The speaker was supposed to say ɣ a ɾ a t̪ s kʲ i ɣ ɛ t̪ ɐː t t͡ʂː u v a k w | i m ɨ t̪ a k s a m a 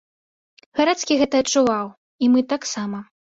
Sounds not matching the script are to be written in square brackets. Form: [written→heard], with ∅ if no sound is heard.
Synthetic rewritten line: ɣ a ɾ a t̪ s kʲ i ɣ ɛ t̪ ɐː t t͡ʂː u v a [k→∅] w | i m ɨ t̪ a k s a m [a→ɐ]

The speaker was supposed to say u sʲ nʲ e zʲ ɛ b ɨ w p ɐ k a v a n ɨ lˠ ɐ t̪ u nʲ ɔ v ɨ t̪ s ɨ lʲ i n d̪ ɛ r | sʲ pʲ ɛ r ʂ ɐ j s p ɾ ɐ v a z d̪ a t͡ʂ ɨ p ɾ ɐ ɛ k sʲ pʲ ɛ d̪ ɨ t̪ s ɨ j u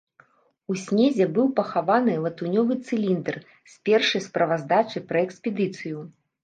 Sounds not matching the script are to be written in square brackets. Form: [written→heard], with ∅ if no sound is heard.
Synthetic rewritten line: u sʲ nʲ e zʲ ɛ b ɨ w p ɐ [k→x] a v a n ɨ lˠ ɐ t̪ u nʲ ɔ v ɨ t̪ s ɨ lʲ i n d̪ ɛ r | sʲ pʲ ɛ r ʂ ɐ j s p ɾ ɐ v a z d̪ a t͡ʂ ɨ p ɾ ɐ ɛ k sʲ pʲ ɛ d̪ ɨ t̪ s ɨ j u

